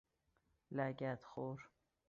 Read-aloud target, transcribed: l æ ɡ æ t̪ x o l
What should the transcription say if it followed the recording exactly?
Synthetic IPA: l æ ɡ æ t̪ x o ɾ